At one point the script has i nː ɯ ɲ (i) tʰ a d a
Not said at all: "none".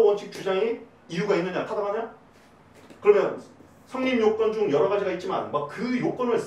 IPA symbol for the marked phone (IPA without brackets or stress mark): a